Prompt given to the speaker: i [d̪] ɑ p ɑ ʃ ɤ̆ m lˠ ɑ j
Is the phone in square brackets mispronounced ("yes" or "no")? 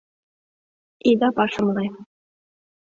no